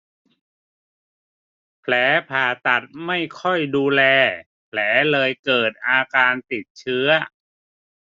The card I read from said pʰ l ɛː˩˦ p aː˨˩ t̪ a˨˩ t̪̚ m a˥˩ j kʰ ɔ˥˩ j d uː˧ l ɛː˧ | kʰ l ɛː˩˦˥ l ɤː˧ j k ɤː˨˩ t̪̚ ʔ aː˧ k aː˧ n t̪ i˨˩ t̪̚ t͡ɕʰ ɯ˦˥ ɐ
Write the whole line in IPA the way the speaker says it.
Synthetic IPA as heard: pʰ l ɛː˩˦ pʰ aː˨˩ t̪ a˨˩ t̪̚ m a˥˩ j kʰ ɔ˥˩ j d uː˧ l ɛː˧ | pʰ l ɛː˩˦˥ l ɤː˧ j k ɤː˨˩ t̪̚ ʔ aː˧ k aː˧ n t̪ i˨˩ t̪̚ t͡ɕʰ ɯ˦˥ ɐ